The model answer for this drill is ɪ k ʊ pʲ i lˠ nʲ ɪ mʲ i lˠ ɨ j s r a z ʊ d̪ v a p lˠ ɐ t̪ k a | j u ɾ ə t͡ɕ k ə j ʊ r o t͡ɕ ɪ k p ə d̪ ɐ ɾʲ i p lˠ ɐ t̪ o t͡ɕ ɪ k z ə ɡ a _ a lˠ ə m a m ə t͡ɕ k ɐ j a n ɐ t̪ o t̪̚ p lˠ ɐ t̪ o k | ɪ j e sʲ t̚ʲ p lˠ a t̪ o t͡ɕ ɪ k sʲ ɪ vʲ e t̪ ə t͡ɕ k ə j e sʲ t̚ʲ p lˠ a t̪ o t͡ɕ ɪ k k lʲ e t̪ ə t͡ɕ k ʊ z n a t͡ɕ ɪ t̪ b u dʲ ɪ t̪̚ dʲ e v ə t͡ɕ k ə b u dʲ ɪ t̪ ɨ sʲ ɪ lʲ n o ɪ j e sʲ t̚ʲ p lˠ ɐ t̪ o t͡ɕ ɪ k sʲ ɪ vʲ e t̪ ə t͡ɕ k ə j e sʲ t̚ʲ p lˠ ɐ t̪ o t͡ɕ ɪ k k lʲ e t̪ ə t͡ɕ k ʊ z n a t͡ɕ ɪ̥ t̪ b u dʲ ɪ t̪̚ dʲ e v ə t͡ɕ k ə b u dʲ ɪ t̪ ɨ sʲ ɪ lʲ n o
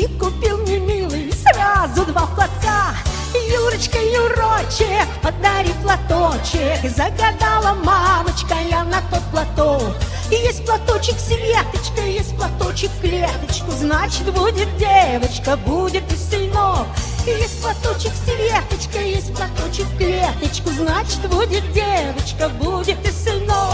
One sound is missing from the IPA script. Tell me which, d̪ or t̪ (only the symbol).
d̪